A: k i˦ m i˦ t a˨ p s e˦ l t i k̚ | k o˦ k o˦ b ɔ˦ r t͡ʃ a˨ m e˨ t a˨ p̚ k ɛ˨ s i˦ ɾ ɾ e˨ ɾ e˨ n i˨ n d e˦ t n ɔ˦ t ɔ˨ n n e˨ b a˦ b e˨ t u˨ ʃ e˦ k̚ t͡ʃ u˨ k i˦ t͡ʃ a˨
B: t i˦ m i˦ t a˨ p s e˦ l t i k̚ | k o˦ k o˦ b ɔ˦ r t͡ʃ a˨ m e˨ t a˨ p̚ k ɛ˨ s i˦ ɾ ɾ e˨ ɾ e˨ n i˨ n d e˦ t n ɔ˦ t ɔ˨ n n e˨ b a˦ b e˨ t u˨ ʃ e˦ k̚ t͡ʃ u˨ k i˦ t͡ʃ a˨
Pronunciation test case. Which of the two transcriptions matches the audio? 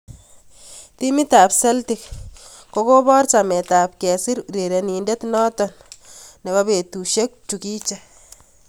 B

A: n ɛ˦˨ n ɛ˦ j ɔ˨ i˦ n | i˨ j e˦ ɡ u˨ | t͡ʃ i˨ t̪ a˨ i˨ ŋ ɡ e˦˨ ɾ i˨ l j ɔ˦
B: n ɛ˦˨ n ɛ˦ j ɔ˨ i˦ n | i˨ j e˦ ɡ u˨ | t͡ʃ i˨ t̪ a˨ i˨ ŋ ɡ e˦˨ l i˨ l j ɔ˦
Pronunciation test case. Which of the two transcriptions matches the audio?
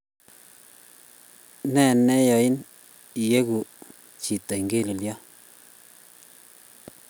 B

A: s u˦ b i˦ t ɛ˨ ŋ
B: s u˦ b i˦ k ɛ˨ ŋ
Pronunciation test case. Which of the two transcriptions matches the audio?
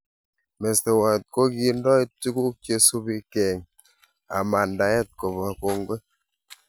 B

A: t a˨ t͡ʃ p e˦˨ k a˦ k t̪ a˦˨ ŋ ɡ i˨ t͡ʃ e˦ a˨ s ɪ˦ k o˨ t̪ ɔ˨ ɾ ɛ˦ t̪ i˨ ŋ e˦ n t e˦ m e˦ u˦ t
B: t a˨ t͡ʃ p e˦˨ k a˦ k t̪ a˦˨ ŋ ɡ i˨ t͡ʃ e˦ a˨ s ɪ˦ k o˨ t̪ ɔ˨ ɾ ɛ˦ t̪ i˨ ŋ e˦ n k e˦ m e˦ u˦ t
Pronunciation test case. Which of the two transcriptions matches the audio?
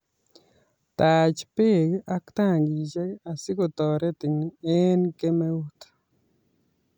B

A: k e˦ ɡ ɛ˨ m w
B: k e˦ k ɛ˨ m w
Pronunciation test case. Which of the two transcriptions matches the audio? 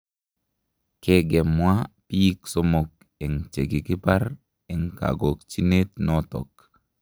A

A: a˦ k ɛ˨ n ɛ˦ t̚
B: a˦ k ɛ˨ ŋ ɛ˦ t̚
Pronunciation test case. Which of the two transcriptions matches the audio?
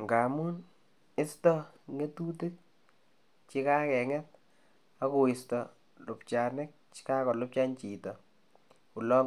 B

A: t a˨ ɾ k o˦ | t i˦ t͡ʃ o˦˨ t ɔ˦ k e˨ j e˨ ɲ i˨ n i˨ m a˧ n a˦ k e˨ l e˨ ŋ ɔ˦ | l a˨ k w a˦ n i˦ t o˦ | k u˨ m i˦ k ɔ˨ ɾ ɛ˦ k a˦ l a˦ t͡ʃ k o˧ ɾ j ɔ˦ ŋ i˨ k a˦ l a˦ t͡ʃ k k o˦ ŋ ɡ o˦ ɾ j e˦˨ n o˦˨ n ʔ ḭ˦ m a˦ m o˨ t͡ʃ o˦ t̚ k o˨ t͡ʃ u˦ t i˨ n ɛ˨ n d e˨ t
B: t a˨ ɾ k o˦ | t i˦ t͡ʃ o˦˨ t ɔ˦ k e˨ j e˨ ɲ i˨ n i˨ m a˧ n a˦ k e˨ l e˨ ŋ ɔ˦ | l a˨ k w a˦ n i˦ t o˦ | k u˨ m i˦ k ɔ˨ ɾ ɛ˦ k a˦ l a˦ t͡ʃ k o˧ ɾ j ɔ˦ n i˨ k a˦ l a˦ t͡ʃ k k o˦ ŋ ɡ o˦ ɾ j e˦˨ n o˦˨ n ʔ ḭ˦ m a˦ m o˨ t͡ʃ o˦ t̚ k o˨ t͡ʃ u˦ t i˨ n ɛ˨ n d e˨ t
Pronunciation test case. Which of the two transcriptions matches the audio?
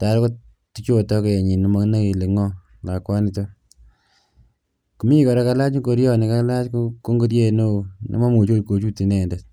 B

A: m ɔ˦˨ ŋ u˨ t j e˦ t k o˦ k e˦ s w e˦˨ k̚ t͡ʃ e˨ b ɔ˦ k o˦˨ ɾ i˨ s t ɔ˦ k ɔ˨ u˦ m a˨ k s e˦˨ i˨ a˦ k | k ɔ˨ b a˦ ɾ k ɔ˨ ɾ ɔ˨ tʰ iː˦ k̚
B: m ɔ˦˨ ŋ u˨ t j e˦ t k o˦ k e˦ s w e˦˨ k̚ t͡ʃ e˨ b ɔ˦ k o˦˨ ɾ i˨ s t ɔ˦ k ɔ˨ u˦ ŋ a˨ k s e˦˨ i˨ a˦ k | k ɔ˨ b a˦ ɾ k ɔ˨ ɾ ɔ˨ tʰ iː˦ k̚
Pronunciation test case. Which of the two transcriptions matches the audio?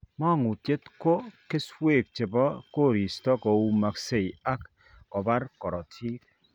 A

